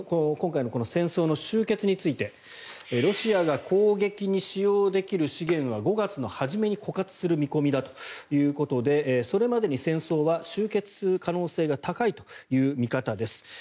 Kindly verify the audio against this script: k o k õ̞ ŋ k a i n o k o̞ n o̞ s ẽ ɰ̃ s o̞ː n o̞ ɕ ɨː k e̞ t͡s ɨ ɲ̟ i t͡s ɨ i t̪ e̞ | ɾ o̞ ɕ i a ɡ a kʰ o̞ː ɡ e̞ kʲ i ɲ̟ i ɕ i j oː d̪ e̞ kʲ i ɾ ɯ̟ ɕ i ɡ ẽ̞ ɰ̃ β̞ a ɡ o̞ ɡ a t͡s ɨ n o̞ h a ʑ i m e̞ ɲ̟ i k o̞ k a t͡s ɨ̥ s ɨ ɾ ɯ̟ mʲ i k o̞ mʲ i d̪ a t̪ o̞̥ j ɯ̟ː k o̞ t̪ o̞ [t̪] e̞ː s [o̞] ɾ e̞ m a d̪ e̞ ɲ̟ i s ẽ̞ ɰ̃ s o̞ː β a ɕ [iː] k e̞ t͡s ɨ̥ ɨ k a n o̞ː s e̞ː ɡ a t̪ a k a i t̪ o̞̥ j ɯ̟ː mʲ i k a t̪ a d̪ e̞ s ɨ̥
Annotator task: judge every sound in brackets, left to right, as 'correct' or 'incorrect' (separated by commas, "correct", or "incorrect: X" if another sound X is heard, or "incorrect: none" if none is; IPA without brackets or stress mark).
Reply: incorrect: d̪, correct, incorrect: ɨː